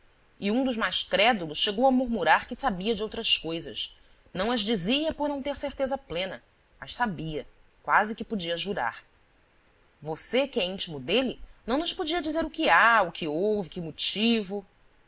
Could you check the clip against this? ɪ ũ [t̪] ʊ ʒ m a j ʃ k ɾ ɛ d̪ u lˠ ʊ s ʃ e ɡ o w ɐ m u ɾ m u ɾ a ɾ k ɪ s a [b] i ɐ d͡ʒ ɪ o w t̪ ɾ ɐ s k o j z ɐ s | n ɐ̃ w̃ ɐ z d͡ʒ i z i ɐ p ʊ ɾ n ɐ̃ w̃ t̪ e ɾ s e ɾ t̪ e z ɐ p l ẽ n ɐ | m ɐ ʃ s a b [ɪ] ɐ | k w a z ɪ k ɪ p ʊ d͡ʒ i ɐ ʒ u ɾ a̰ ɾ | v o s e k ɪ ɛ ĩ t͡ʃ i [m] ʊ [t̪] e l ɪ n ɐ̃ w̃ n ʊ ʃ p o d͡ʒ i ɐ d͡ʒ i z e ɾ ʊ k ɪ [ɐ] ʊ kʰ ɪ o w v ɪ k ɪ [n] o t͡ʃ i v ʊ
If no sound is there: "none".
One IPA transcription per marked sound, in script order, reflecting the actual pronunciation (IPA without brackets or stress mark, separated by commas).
d̪, b, i, m, d̪, a, m